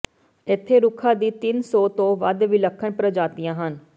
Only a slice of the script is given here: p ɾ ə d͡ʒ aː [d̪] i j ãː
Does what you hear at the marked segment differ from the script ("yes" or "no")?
yes